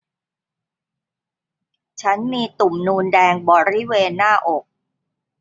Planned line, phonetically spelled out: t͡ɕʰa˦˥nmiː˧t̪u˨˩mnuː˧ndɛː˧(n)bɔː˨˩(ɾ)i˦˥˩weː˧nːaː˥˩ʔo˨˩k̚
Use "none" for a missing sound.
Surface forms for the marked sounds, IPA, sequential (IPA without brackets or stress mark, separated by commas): ŋ, ɾ